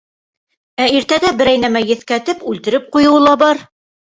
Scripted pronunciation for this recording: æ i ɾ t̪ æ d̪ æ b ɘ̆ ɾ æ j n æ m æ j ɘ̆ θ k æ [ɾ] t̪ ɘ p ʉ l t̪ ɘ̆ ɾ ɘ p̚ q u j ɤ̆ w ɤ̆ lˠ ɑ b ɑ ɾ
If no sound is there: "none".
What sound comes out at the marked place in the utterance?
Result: none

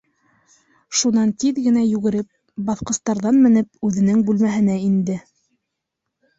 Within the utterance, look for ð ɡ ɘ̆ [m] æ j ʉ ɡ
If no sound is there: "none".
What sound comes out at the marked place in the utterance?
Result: n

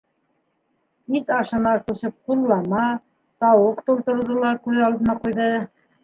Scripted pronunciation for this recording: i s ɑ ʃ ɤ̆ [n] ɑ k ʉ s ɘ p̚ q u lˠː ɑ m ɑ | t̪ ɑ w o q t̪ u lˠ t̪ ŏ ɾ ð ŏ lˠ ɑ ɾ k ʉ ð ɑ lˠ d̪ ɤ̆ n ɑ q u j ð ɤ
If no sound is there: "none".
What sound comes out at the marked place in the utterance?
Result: n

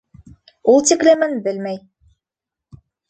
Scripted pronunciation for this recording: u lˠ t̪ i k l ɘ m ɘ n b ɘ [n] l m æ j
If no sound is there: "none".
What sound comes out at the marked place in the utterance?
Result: none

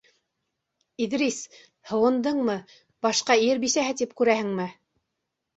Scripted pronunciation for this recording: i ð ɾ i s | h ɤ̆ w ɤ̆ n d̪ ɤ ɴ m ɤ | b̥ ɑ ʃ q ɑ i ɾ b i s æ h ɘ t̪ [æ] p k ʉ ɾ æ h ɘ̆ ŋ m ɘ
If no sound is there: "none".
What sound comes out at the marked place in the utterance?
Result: i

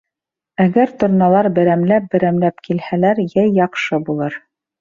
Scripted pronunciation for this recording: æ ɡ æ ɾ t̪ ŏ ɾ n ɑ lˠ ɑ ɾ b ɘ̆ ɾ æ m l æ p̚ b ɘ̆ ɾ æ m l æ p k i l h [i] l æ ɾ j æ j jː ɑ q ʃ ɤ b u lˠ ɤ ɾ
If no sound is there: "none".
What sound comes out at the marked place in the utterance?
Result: æ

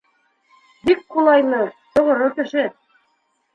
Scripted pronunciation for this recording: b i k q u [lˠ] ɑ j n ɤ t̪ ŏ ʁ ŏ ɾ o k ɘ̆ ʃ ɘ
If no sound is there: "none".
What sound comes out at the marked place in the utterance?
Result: lˠ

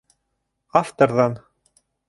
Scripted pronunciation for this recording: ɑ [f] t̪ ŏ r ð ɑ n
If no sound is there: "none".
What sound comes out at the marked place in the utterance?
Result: f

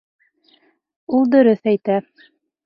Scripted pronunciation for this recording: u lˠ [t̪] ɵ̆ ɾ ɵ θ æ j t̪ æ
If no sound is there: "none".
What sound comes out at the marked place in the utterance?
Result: d̪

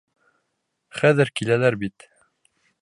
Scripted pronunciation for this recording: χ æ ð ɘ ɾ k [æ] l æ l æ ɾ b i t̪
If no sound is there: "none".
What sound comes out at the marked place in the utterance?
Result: i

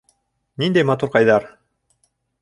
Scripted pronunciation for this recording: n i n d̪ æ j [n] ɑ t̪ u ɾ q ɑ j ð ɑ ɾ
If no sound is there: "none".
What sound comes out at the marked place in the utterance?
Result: m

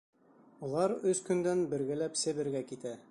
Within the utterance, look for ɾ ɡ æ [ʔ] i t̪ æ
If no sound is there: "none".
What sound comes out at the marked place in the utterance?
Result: k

